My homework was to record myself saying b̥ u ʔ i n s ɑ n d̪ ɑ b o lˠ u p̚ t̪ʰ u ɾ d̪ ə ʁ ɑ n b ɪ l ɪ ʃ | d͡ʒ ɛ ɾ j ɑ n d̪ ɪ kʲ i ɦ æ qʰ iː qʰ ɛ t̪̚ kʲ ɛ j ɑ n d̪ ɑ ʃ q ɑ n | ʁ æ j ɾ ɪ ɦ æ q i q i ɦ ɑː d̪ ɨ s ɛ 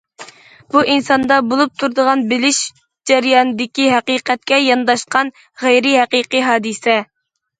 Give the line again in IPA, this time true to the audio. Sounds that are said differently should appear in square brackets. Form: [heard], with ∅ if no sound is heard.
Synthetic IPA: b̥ u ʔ i n s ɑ n d̪ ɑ b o lˠ u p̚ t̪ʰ u ɾ d̪ ə ʁ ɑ n b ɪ l ɪ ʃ | d͡ʒ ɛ ɾ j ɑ n d̪ ɪ kʲ i ɦ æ [q] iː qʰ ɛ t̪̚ kʲ ɛ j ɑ n d̪ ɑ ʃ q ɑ n | ʁ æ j ɾ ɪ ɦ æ q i q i ɦ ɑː d̪ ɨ s ɛ